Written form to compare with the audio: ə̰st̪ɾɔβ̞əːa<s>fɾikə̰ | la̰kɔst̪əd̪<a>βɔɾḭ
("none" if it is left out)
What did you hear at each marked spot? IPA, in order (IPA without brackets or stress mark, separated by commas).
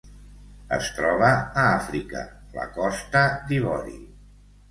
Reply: none, i